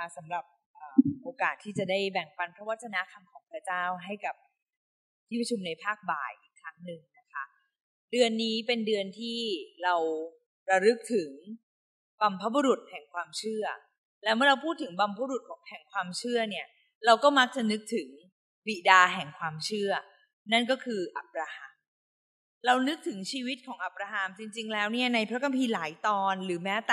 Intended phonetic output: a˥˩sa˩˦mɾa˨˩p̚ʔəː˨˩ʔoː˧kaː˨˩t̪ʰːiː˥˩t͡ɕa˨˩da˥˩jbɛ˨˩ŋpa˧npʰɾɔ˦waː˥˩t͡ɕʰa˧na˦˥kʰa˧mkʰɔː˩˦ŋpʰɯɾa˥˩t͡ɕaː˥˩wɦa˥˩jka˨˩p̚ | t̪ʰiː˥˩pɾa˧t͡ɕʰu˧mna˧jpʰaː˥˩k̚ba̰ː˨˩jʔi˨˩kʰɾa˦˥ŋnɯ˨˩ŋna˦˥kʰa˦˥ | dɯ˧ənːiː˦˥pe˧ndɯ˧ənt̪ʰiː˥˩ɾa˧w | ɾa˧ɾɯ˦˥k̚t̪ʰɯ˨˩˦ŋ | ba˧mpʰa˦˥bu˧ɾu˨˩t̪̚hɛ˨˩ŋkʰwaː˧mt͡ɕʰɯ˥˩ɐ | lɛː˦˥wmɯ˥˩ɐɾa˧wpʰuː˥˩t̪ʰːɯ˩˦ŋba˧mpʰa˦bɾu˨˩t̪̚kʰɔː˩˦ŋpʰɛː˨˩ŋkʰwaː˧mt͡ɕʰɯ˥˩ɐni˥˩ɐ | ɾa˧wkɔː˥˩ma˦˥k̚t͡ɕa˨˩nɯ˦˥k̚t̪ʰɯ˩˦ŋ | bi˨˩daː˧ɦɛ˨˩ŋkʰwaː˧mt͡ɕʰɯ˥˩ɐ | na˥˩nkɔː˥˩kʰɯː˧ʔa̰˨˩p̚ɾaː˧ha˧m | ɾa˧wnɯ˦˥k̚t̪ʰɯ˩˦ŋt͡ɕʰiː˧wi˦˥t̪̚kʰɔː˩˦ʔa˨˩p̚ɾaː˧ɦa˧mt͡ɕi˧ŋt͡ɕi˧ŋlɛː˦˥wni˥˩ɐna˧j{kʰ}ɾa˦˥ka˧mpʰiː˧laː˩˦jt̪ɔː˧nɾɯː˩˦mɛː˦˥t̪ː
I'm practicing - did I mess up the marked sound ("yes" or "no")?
yes